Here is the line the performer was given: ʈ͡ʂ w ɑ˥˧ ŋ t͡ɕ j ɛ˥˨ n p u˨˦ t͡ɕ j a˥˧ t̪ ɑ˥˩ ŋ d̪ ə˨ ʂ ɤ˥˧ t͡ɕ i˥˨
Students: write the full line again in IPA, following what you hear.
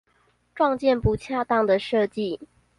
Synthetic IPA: ʈ͡ʂ w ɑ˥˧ ŋ t͡ɕ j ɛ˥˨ n p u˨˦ t͡ɕʰ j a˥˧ t̪ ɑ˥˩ ŋ d̪ ə˨ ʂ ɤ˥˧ t͡ɕ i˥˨